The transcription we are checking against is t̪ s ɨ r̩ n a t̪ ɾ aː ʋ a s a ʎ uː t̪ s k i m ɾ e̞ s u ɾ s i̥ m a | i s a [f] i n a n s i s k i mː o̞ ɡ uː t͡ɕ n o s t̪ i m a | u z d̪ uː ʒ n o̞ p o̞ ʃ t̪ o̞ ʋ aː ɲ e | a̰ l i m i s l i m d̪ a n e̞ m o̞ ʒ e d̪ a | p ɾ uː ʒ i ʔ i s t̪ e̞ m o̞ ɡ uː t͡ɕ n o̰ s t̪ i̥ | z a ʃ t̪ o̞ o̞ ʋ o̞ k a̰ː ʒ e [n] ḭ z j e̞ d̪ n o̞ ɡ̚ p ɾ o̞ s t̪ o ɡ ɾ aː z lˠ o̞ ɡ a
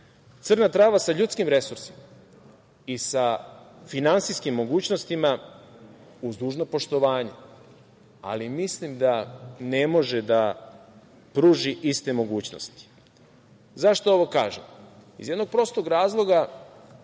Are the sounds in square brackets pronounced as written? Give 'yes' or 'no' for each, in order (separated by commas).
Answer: yes, no